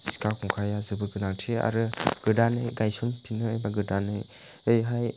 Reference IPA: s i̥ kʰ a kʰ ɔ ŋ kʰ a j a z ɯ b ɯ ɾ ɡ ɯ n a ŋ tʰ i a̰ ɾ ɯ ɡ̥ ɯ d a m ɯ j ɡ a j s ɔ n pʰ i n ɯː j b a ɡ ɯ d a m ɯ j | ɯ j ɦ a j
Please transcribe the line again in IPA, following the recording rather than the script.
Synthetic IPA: s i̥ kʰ a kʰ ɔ ŋ kʰ a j a z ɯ b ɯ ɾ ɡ ɯ n a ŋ tʰ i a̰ ɾ ɯ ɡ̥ ɯ d a n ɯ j ɡ a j s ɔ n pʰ i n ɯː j b a ɡ ɯ d a n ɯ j | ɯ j ɦ a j

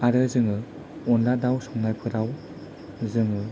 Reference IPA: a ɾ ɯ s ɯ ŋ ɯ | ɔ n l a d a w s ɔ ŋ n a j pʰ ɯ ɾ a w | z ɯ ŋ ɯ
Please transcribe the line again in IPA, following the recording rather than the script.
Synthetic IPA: a ɾ ɯ z ɯ ŋ ɯ | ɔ n l a d a w s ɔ ŋ n a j pʰ ɯ ɾ a w | z ɯ ŋ ɯ

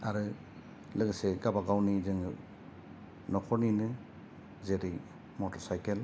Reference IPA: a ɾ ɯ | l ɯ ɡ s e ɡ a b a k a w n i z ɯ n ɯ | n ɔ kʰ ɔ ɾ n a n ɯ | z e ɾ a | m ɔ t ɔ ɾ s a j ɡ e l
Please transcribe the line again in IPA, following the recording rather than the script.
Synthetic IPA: a ɾ ɯ | l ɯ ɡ s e ɡ a b a ɡ a w n i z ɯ ŋ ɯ | n ɔ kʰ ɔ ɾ n i n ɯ | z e ɾ i | m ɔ t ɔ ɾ s a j k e l

